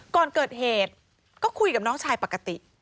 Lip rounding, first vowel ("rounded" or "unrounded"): rounded